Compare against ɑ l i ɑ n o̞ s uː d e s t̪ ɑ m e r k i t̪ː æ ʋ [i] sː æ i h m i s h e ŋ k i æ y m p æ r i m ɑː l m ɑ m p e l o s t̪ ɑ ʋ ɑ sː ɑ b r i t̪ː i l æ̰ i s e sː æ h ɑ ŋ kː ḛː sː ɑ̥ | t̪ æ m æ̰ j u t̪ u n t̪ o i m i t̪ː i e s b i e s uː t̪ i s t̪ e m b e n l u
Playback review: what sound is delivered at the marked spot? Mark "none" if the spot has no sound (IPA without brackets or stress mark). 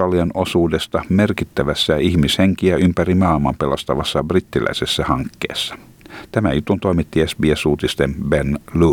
æ